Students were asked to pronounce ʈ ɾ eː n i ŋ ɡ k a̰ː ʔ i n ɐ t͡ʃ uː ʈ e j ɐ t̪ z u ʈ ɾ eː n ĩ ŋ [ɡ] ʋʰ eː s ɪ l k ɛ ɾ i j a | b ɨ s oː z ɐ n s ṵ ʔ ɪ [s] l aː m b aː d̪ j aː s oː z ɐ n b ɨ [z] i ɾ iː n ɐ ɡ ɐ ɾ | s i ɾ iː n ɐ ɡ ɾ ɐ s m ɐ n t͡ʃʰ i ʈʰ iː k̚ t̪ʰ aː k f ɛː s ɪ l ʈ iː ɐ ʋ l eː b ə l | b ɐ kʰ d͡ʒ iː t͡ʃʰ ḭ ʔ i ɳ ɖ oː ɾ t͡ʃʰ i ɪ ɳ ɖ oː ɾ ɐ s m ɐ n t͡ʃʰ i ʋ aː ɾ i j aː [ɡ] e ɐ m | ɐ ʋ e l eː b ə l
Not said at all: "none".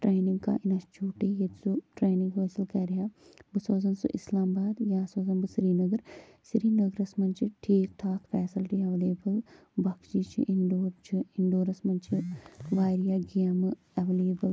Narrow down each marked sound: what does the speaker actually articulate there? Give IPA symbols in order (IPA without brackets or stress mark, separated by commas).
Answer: ɡ, s, s, ɡ